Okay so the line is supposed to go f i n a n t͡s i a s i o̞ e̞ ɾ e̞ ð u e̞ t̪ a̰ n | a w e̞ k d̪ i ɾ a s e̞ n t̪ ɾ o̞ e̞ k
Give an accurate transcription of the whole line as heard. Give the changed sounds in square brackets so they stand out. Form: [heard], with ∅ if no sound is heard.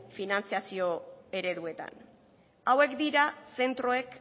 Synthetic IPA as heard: f i n a n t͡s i a s i o̞ e̞ ɾ e̞ ð u e̞ t̪ a̰ n | a w e̞ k d̪ i ɾ a s e̞ n t̪ ɾ o̞ e̞ k